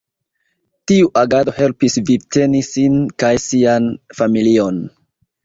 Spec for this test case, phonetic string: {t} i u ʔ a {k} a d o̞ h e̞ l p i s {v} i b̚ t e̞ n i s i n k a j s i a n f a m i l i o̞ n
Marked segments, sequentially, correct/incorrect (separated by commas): correct, incorrect, correct